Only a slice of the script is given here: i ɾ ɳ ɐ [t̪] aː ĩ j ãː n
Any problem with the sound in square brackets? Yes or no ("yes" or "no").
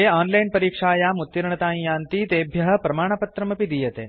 no